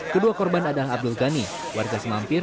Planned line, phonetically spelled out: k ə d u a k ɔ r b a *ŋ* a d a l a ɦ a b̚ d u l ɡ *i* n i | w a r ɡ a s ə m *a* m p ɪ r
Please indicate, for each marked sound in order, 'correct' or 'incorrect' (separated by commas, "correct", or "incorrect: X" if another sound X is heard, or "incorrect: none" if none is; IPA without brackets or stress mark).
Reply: incorrect: n, incorrect: a, correct